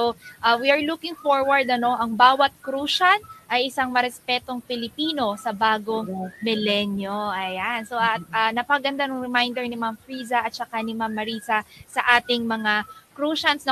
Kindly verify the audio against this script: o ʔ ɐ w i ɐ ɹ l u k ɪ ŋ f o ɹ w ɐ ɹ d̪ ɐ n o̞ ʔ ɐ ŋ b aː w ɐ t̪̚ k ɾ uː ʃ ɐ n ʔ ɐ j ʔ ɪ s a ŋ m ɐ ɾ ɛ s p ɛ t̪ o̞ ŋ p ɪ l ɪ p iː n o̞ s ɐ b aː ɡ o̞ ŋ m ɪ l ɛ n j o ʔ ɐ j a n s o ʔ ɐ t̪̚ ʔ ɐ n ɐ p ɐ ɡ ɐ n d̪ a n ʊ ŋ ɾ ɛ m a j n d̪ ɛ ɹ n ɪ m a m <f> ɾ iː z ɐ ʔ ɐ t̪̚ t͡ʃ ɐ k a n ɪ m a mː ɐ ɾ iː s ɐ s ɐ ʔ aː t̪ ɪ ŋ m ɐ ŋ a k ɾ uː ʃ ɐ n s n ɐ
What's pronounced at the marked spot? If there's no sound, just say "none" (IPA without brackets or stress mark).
f